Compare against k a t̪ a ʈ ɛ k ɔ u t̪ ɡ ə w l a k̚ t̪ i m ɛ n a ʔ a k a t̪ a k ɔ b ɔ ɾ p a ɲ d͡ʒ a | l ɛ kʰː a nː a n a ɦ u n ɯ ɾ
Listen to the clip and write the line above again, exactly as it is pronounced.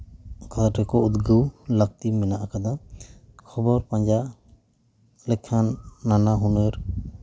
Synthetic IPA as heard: k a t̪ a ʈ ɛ k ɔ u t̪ ɡ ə w l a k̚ t̪ i m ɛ n a ʔ a k a d̪ a kʰ ɔ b ɔ ɾ p a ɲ d͡ʒ a | l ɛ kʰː a nː a n a ɦ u n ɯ ɾ

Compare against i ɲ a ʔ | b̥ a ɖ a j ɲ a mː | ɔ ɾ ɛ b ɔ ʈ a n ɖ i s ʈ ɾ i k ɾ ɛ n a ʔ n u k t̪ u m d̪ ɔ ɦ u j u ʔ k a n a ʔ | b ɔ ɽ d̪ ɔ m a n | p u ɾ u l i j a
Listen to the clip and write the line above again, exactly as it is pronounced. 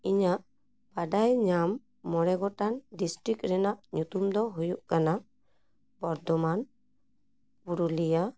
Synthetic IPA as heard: i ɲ a ʔ | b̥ a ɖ a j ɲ a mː | ɔ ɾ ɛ ɡ ɔ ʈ a n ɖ i s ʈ ɾ i k ɾ ɛ n a ʔ ɲ u t̪ u m d̪ ɔ ɦ u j u ʔ k a n a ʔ | b ɔ ɾ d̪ ɔ m a n | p u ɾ u l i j a

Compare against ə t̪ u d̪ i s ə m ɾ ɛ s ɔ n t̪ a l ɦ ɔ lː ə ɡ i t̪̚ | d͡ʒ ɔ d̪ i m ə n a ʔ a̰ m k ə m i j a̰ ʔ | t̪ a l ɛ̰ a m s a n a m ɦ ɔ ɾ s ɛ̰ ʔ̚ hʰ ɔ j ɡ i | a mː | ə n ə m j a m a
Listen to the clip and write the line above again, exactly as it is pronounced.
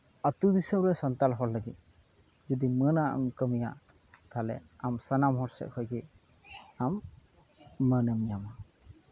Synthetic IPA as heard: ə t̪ u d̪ i s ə m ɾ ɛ s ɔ n t̪ a l ɦ ɔ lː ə ɡ i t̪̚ | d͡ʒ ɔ d̪ i m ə n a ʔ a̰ m k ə m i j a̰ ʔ | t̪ a l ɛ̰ a m s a n a m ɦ ɔ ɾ s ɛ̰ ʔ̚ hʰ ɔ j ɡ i | a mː | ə n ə m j a m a

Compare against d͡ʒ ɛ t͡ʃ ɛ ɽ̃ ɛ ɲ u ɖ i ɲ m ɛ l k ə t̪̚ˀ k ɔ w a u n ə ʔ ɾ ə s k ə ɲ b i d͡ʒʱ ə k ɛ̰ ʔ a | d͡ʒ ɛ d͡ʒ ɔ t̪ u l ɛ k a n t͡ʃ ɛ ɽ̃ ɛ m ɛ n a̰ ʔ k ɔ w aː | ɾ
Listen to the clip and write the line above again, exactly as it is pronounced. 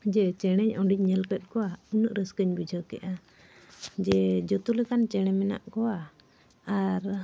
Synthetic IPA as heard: d͡ʒ ɛ t͡ʃ ɛ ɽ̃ ɛ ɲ ɔ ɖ i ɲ ɲ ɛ l k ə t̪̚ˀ k ɔ w a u n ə ʔ ɾ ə s k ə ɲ b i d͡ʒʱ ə k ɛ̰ ʔ a | d͡ʒ ɛ d͡ʒ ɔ t̪ u l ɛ k a n t͡ʃ ɛ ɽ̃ ɛ m ɛ n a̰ ʔ k ɔ w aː | ɾ

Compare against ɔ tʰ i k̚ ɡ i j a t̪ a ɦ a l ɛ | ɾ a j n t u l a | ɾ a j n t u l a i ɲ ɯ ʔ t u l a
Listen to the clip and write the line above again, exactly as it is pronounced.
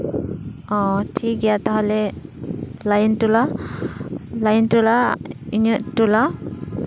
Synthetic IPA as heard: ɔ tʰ i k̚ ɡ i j a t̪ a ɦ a l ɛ | l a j n t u l a | l a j n t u l a i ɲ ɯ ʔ t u l a

